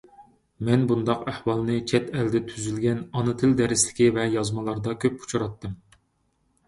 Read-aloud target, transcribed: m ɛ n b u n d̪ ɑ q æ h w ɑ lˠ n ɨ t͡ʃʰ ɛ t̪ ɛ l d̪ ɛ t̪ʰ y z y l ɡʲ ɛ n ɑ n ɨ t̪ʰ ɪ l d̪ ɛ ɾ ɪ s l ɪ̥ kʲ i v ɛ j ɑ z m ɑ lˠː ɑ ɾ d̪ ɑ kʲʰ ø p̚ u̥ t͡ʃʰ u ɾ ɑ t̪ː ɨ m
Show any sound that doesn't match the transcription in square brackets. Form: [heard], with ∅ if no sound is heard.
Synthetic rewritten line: m ɛ n b u n d̪ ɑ q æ h w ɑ lˠ n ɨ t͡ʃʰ ɛ t̪ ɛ l d̪ ɛ t̪ʰ y z y l ɡʲ ɛ n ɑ n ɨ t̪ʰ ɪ l d̪ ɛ ɾ ɪ s l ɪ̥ kʲ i v ɛ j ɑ z m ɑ [lˠ] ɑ ɾ d̪ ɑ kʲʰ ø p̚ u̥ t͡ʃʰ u ɾ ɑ t̪ː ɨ m